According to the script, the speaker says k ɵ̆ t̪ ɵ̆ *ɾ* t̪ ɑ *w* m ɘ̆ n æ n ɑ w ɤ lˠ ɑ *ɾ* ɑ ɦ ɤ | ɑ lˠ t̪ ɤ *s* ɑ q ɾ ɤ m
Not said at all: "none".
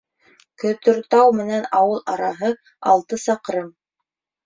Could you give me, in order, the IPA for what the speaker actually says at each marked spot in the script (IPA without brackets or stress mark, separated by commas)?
ɾ, w, ɾ, s